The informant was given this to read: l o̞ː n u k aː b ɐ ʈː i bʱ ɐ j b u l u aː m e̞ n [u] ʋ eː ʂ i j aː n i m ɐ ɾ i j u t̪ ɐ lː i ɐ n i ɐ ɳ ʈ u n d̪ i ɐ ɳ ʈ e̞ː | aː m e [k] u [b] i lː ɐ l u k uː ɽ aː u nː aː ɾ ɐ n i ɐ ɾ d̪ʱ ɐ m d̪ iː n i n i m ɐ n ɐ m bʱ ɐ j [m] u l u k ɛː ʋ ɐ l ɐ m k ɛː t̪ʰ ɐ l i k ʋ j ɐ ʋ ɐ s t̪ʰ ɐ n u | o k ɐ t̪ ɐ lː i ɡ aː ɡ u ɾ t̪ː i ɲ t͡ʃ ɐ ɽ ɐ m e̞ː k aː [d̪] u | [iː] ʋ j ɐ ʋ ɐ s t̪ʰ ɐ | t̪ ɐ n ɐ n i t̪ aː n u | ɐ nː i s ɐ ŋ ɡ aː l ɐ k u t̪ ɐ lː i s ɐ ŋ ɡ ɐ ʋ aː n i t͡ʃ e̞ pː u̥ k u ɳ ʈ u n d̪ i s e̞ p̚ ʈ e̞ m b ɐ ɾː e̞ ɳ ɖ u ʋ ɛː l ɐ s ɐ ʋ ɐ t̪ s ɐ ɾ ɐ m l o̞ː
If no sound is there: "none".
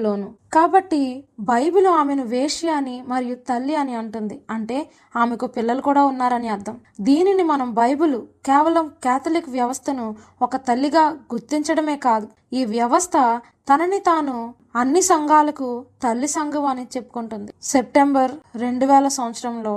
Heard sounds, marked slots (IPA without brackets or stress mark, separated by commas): u, k, p, b, d̪, iː